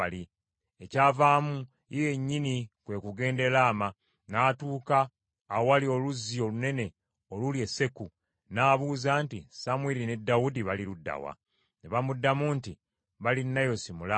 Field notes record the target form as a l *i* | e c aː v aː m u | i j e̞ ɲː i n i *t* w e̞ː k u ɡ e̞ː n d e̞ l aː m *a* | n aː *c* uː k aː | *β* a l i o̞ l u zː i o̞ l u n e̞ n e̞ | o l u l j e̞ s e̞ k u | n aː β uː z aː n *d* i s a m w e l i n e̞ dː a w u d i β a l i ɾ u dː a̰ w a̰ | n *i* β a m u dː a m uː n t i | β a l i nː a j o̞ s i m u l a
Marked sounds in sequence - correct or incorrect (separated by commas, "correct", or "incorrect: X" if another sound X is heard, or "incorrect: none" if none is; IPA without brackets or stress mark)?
correct, incorrect: k, correct, incorrect: t, incorrect: w, incorrect: t, incorrect: e